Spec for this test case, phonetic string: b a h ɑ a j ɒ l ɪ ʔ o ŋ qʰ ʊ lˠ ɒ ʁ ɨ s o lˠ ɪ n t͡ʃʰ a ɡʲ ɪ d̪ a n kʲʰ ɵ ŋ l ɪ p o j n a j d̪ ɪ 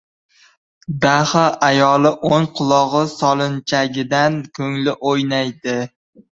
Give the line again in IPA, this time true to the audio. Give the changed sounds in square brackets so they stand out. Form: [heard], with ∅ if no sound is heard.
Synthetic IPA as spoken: b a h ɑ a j ɒ l ɪ ʔ o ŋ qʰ ʊ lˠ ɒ ʁ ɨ s [ɒ] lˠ ɪ n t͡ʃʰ a ɡʲ ɪ d̪ a n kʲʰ ɵ ŋ l ɪ [ʔ] o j n a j d̪ ɪ